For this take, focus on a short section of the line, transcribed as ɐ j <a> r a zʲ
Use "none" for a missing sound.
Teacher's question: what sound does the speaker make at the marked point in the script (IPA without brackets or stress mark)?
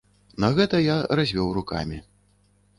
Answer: a